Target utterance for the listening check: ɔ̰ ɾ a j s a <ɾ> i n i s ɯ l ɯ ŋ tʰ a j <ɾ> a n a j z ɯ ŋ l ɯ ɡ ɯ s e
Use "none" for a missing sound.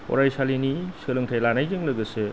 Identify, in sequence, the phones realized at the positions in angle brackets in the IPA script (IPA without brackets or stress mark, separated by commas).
l, l